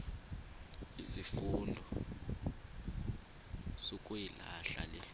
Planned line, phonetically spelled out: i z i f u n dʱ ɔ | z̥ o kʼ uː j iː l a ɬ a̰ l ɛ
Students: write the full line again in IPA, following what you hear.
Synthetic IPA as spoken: i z i f u n dʱ ɔ | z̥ o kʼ u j i l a ɬ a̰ l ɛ

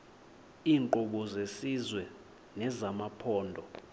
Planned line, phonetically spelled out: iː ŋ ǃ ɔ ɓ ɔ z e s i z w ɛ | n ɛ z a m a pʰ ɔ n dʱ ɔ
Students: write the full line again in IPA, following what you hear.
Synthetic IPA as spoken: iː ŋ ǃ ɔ ɓ ɔ z e s i z w ɛ | n ɛ z a m a pʰ ɔː n dʱ ɔ

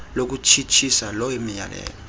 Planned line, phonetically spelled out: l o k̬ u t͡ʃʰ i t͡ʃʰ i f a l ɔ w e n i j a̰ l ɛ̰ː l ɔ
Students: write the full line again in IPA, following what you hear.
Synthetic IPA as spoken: l o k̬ u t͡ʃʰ i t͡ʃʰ i s a l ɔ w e m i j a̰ l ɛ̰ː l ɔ

